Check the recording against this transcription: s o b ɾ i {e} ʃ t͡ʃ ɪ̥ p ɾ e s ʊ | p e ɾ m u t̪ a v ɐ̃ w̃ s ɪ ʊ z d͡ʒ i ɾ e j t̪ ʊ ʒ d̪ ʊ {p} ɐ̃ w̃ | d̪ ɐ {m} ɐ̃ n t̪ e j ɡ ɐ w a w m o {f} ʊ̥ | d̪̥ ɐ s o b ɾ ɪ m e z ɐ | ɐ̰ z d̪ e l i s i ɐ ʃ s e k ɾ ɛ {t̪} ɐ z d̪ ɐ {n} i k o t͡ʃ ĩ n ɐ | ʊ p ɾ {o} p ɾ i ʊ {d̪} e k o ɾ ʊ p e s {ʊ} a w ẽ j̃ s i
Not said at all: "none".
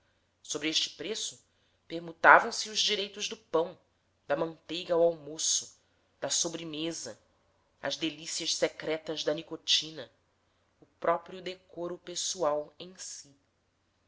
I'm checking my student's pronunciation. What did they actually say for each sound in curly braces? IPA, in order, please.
e, p, m, s, t̪, n, ɔ, d̪, u

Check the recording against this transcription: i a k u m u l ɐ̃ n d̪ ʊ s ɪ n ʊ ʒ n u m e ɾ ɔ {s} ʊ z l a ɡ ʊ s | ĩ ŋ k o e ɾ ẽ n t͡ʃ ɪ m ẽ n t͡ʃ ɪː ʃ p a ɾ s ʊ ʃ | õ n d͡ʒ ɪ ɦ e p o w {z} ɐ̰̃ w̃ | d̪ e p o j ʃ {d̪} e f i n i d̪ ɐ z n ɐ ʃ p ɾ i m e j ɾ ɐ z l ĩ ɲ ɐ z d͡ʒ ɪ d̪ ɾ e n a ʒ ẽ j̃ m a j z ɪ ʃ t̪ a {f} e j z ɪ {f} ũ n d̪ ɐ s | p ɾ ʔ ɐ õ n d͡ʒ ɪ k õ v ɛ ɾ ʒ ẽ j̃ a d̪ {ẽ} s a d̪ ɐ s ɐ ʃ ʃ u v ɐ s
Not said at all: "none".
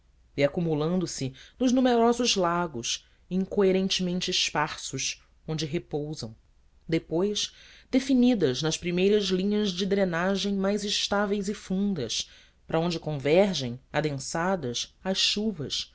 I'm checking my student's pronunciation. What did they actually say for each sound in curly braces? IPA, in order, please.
z, z, d̪, v, f, ẽ

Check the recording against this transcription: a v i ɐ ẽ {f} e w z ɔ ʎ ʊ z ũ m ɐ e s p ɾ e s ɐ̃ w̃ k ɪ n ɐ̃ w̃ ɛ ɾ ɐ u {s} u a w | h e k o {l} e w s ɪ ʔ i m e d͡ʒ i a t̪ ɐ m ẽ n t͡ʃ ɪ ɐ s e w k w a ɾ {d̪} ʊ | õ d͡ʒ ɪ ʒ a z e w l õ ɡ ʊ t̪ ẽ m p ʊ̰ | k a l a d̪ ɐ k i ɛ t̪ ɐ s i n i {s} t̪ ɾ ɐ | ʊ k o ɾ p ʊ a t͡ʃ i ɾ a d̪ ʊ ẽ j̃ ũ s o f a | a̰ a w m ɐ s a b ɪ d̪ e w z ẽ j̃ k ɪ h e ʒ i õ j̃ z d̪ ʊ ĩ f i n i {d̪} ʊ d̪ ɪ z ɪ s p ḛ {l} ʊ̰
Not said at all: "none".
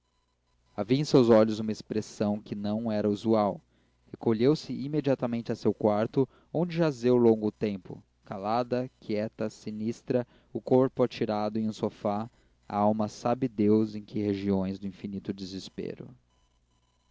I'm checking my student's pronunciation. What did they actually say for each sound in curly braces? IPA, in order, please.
s, z, ʎ, t̪, s, t̪, ɾ

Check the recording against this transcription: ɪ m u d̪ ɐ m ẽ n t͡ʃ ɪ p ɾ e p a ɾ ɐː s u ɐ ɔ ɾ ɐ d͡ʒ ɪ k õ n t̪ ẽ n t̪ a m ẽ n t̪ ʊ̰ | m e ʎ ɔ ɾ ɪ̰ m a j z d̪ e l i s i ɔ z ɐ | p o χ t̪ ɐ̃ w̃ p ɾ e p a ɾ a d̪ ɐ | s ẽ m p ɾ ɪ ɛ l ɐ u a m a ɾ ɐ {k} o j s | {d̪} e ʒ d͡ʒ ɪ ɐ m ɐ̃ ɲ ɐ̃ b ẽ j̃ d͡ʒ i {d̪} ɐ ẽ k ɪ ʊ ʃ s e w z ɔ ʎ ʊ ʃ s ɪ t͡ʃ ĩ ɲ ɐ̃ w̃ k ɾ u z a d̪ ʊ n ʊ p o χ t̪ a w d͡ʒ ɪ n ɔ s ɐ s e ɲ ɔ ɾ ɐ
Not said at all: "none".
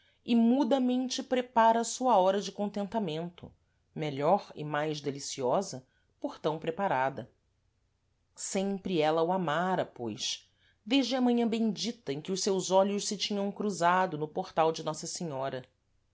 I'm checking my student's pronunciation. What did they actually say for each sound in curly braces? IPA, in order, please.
p, d̪, t̪

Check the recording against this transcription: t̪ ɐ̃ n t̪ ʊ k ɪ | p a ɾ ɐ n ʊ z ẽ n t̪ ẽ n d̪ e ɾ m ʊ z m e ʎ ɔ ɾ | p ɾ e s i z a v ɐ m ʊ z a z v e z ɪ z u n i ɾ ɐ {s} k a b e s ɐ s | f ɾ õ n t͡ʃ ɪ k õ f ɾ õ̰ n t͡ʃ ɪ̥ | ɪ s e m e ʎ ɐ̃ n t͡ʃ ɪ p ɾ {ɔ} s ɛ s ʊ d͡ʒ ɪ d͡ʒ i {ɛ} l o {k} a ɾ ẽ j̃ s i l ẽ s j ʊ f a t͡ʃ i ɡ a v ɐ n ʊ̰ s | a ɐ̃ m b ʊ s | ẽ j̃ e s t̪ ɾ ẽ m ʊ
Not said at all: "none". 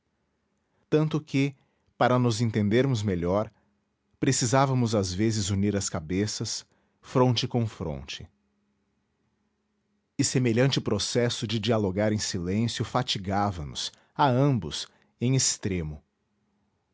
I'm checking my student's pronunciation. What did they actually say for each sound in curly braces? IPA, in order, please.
s, o, a, ɡ

